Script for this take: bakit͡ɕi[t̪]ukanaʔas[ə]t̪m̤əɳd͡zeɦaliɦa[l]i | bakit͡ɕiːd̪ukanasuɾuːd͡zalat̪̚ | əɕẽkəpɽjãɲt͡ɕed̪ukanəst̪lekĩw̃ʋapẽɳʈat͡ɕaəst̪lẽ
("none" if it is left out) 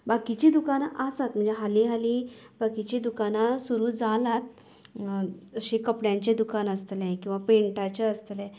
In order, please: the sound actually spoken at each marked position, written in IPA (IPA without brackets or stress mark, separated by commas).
d̪, a, l